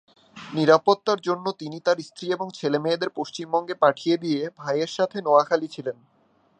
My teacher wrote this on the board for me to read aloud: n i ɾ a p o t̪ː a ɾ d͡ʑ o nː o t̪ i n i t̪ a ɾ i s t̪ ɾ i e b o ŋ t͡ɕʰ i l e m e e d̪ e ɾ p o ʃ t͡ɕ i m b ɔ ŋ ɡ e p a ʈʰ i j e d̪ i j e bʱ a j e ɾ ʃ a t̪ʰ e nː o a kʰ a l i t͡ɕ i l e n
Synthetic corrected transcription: n i ɾ a p o t̪ː a ɾ d͡ʑ o nː o t̪ i n i t̪ a ɾ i s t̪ ɾ i e b o ŋ t͡ɕʰ e l e m e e d̪ e ɾ p o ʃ t͡ɕ i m b ɔ ŋ ɡ e p a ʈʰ i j e d̪ i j e bʱ a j e ɾ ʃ a t̪ʰ e n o a kʰ a l i t͡ɕʰ i l e n